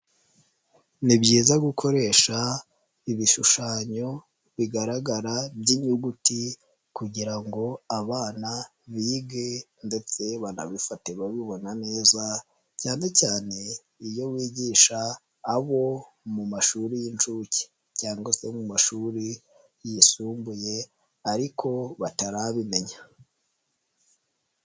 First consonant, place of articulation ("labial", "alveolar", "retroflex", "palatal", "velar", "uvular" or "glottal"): alveolar